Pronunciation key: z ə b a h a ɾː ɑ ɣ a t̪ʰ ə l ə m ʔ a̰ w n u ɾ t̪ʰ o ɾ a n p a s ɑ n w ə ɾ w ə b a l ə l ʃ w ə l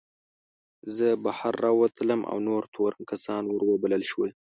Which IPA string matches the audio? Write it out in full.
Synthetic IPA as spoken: z ə b a h a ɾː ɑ w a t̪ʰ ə l ə m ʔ a̰ w n o ɾ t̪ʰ o ɾ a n k a s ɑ n w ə ɾ w ə b a l ə l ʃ w ə l